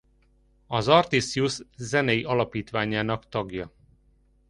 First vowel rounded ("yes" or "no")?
yes